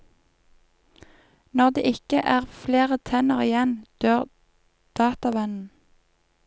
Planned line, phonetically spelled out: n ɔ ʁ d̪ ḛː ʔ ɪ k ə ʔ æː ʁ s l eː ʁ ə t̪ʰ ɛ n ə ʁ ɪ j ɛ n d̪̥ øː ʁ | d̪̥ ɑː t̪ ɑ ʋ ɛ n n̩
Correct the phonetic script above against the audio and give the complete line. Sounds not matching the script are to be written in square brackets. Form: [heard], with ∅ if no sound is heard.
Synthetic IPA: n ɔ ʁ d̪ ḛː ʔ ɪ k ə ʔ æː ʁ [f] l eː ʁ ə t̪ʰ ɛ n ə ʁ ɪ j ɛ n d̪̥ øː ʁ | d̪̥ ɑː t̪ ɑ ʋ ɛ n n̩